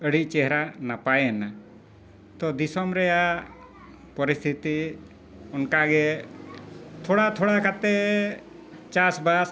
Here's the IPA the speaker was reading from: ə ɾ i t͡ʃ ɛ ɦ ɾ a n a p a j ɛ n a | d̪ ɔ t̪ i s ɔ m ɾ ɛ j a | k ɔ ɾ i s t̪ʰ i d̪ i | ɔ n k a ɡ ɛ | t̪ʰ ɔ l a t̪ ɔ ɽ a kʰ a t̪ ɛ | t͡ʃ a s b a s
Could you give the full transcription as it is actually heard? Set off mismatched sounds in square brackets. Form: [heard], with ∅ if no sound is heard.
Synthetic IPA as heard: ə [ɽ] i t͡ʃ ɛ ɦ ɾ a n a p a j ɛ n a | [t̪] ɔ [d̪] i s ɔ m ɾ ɛ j a | [p] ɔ ɾ i s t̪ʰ i [t̪] i | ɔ n k a ɡ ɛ | t̪ʰ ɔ [ɽ] a [t̪ʰ] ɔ ɽ a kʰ a t̪ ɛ | t͡ʃ a s b a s